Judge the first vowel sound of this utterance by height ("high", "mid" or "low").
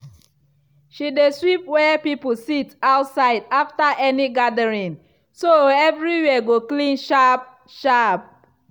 high